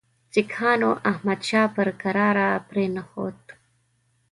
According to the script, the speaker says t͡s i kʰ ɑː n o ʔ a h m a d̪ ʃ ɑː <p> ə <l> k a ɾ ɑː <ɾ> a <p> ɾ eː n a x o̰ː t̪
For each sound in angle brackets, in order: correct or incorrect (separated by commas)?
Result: correct, incorrect, correct, correct